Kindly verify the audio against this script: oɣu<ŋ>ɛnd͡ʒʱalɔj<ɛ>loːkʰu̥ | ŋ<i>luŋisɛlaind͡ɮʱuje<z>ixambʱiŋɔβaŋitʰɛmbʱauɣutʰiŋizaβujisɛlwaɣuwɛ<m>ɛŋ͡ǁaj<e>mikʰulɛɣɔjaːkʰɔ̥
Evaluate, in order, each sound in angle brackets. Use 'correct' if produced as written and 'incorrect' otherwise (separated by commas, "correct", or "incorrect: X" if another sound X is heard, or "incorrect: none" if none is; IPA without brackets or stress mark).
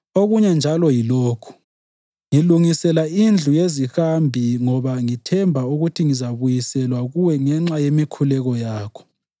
incorrect: ɲ, incorrect: i, correct, correct, incorrect: ŋ, correct